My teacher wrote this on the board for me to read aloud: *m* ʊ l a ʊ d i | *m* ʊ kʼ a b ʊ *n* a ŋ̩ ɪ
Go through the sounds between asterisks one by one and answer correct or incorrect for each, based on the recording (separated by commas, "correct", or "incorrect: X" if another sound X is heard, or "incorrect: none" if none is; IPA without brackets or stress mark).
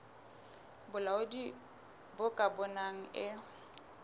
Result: incorrect: b, incorrect: b, correct